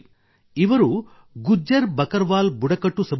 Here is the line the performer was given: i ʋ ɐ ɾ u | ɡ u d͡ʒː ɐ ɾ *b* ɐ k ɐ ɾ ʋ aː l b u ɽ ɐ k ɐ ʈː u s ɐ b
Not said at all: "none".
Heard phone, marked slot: b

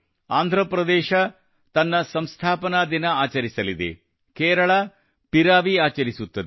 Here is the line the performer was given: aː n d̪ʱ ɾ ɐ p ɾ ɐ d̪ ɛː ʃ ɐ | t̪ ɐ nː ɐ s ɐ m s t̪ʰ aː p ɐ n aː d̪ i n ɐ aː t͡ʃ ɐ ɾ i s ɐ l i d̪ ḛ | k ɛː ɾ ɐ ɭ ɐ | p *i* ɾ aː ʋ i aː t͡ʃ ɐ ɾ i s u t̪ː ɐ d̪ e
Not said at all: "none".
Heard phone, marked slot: i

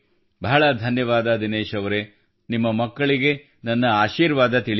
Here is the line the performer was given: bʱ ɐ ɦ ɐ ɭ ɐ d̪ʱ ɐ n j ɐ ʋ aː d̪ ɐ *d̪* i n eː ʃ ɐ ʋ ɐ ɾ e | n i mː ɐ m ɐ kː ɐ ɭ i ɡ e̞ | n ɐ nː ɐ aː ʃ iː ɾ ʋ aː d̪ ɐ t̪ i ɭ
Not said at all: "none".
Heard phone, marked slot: d̪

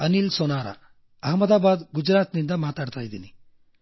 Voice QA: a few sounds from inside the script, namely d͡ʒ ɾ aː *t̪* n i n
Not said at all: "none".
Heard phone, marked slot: t̪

